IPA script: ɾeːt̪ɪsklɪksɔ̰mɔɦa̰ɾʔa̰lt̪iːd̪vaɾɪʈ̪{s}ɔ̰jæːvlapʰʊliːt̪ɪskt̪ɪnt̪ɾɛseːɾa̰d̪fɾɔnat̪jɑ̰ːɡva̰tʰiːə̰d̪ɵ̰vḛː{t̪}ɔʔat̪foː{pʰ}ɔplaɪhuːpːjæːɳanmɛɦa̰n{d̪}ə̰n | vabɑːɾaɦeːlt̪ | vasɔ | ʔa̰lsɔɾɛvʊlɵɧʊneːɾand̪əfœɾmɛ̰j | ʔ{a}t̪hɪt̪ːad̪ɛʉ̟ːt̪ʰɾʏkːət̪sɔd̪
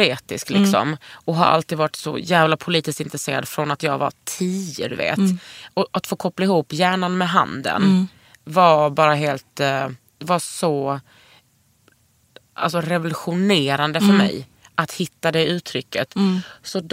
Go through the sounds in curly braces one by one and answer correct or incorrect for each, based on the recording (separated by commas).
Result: correct, correct, incorrect, correct, correct